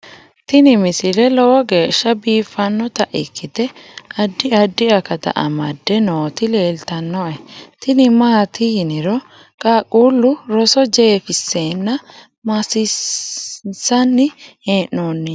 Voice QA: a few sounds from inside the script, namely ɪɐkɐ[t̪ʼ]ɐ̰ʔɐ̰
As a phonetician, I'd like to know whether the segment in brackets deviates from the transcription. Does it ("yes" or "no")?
yes